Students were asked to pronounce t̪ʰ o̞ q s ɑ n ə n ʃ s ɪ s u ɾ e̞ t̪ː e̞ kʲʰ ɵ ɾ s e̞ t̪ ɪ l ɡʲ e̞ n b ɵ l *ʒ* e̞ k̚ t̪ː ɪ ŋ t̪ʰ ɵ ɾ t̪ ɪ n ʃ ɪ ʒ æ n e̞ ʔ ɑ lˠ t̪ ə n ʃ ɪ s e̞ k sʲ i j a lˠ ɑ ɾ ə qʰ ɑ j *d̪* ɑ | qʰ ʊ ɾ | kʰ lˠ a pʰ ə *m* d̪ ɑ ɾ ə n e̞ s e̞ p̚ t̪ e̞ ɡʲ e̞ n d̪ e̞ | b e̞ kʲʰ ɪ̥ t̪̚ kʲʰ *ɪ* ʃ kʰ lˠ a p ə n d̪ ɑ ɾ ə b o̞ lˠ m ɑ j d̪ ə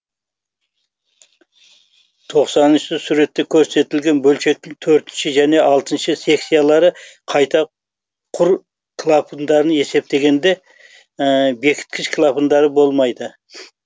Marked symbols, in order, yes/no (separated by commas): no, no, no, yes